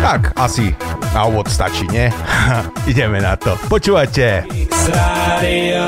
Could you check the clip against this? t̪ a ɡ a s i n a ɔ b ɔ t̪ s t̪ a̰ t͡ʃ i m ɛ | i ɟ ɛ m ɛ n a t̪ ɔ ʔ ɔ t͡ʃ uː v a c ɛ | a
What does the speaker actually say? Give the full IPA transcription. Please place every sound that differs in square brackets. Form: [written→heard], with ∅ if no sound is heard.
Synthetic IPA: t̪ a [ɡ→k] a s i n a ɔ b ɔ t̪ s t̪ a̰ t͡ʃ i [m→ɲ] ɛ | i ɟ ɛ m ɛ n a t̪ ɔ [ʔ→p] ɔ t͡ʃ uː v a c ɛ | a